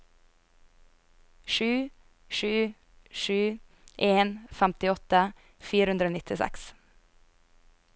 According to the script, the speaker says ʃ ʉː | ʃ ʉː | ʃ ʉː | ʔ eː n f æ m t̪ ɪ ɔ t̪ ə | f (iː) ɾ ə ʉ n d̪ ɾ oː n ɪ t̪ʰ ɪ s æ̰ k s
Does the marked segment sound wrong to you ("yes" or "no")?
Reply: no